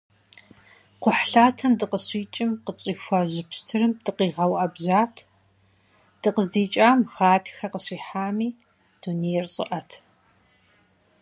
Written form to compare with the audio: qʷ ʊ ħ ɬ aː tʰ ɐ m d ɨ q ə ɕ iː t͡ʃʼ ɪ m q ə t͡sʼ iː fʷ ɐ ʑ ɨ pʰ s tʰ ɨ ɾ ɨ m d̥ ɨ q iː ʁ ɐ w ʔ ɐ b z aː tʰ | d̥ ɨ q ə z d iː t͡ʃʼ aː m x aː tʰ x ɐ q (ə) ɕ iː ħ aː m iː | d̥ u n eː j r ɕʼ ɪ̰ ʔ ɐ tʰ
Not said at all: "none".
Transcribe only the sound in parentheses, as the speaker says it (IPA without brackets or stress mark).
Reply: ə